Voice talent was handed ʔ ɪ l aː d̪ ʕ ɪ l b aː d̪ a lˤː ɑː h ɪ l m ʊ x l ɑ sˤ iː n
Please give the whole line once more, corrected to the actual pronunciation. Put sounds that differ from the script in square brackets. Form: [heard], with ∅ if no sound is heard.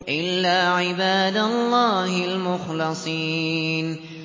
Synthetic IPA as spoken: ʔ ɪ [lː] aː [∅] ʕ ɪ [∅] b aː d̪ a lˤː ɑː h ɪ l m ʊ x l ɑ sˤ iː n